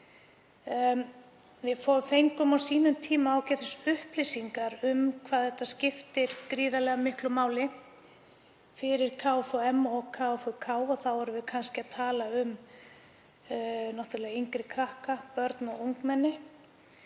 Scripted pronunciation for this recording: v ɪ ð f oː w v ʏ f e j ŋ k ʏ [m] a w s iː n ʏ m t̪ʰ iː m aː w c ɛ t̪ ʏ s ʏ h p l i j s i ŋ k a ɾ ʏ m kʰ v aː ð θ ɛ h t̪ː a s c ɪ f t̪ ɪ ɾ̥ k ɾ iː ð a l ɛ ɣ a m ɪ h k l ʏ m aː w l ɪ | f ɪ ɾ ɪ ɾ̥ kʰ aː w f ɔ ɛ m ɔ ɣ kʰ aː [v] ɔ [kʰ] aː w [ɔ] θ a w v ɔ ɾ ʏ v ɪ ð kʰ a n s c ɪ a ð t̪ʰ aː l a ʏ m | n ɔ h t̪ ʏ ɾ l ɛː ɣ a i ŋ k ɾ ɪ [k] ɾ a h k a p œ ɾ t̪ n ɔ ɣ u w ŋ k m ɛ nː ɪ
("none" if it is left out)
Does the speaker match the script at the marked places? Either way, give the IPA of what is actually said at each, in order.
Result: m, f, kʰ, ɔ, kʰ

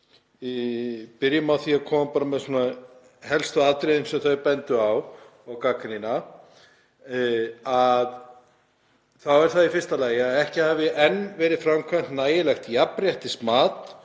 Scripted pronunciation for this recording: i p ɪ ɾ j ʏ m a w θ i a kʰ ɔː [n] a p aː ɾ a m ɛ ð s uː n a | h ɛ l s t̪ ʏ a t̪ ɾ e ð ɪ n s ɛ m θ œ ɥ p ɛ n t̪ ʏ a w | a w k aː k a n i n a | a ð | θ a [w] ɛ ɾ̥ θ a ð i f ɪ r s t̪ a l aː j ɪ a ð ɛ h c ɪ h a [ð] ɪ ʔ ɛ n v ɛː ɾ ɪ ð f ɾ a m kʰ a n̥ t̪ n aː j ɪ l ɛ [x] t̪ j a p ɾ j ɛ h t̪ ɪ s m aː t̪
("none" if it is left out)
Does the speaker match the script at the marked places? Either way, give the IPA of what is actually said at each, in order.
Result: m, w, v, x

